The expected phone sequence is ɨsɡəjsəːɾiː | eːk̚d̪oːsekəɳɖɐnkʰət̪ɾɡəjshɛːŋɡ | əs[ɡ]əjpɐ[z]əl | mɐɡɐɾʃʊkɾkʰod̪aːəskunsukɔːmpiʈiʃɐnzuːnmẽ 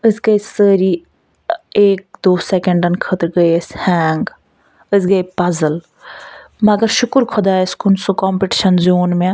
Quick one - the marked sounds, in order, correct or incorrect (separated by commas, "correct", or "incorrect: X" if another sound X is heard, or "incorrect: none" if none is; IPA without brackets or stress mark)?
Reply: correct, correct